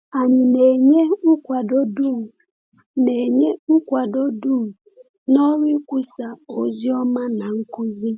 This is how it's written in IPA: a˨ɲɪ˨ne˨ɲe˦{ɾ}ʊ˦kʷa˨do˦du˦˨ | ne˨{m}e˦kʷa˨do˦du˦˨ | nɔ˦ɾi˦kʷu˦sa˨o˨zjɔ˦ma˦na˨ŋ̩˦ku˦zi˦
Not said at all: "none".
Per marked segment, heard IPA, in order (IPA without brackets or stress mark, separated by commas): none, ɲ